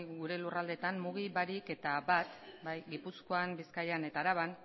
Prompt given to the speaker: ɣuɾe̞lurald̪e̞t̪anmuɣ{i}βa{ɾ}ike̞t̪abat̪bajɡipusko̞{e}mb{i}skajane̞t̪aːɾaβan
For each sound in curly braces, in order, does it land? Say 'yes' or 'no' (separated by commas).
yes, yes, no, yes